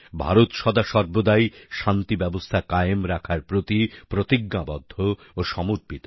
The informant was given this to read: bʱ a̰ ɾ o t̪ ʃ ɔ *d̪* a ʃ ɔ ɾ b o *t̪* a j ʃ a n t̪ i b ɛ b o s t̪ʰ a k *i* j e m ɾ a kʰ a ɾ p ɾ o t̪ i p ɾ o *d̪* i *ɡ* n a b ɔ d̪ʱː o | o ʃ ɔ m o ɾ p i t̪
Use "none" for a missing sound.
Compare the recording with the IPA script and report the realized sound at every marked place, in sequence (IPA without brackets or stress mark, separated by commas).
d̪, d̪, a, t̪, ɡ